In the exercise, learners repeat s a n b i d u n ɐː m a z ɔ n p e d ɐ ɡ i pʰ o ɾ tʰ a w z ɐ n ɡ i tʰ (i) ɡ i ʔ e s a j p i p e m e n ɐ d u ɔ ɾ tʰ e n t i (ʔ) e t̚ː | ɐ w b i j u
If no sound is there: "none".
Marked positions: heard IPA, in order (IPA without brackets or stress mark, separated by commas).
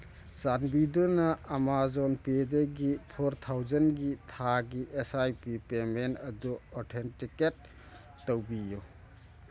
a, k